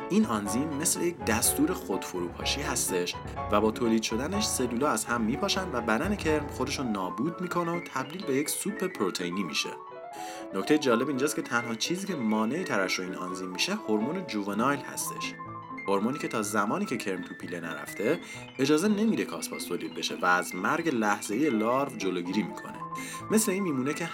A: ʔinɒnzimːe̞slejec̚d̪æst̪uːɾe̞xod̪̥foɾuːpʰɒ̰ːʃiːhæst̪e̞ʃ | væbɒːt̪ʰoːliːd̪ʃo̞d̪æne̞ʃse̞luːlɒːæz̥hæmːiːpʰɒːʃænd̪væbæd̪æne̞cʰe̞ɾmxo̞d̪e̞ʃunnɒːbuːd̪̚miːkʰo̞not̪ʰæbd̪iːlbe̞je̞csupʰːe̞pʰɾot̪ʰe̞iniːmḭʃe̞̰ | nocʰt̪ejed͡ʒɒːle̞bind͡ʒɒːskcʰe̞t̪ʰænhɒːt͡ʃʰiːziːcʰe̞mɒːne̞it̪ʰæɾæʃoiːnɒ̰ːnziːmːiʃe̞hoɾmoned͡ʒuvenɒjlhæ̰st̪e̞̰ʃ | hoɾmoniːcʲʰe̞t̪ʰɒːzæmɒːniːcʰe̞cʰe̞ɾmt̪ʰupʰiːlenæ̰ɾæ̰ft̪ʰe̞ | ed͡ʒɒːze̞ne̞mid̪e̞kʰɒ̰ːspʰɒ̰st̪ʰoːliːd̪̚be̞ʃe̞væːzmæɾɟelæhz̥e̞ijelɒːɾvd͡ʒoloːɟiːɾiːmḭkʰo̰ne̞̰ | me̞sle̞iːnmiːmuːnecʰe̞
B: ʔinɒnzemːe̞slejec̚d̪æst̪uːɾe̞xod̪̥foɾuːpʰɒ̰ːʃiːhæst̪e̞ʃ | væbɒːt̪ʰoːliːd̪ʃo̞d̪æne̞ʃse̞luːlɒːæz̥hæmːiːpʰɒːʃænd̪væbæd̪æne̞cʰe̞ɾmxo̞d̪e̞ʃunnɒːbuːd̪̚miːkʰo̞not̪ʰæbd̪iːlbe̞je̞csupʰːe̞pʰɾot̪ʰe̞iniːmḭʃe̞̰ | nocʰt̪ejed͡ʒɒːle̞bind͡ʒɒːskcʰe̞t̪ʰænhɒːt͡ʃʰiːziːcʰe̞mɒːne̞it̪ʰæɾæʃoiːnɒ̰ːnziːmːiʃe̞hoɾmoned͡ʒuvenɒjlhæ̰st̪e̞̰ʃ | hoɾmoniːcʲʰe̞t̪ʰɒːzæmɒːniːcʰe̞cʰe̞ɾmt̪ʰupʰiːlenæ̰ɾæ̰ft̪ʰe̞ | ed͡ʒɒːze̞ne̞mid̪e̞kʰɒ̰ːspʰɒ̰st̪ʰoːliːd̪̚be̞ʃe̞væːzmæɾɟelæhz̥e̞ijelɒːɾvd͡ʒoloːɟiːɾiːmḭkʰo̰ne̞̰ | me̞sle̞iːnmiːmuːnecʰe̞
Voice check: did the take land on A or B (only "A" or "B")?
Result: A